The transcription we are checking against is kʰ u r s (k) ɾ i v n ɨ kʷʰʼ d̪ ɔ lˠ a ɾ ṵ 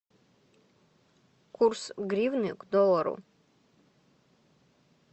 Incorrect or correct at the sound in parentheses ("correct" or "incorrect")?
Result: incorrect